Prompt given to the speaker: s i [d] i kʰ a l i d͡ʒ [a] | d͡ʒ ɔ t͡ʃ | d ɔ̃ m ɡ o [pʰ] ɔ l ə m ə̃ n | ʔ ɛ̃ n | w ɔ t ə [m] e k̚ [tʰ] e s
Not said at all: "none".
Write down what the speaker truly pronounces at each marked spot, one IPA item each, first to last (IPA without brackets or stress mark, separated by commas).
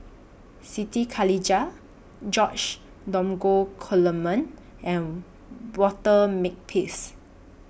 t, a, kʰ, m, pʰ